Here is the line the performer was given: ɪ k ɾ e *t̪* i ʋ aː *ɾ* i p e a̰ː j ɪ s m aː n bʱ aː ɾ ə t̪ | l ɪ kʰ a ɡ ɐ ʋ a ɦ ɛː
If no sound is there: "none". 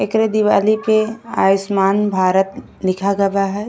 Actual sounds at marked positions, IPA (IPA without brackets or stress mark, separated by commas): d̪, l